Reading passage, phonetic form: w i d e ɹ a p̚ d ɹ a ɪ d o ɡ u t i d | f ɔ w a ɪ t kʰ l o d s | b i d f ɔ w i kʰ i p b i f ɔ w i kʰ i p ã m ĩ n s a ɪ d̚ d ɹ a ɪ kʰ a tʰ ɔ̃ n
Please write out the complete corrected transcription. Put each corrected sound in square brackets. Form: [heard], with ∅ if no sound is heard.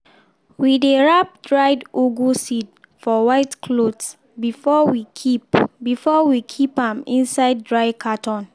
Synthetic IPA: w i d e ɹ a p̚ d ɹ a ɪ d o ɡ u [s] i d | f ɔ w a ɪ t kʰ l o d s | b i [∅] f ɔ w i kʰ i p b i f ɔ w i kʰ i p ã m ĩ n s a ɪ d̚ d ɹ a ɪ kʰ a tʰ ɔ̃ n